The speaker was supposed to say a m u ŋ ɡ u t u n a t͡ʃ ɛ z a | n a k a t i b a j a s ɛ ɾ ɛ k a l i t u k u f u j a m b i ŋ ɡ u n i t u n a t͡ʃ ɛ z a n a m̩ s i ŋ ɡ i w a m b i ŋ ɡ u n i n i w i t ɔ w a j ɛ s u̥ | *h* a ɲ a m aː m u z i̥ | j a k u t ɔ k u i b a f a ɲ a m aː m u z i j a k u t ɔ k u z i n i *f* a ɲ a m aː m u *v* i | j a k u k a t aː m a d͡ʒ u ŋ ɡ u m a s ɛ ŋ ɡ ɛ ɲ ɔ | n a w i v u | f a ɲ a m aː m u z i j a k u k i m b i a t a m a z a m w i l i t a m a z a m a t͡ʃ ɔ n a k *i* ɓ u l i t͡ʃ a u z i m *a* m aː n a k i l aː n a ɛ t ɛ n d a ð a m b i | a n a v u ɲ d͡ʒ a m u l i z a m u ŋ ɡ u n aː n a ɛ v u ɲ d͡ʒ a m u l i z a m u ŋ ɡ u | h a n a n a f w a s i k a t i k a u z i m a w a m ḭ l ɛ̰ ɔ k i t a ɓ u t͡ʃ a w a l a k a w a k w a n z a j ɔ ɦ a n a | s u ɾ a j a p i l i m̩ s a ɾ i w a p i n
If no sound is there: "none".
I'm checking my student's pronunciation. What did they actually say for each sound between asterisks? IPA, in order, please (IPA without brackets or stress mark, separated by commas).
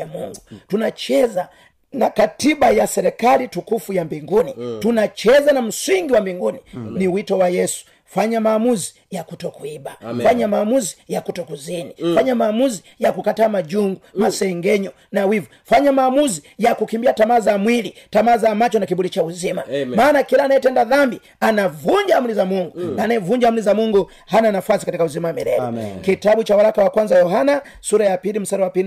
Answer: f, f, z, i, a